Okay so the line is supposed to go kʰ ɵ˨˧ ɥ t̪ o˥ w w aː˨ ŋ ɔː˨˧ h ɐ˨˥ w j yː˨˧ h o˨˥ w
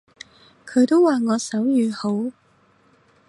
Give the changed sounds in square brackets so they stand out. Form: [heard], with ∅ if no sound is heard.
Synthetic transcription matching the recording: kʰ ɵ˨˧ ɥ t̪ o˥ w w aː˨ ŋ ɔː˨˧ [s] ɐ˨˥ w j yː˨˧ h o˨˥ w